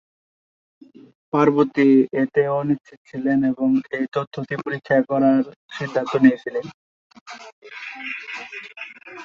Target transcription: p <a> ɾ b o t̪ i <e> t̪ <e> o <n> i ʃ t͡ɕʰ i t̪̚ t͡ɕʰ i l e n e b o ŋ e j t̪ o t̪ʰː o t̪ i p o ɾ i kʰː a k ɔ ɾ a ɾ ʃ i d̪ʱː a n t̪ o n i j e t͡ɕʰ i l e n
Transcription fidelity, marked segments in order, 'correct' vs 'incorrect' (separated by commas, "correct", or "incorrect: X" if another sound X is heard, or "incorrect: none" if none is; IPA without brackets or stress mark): correct, correct, correct, correct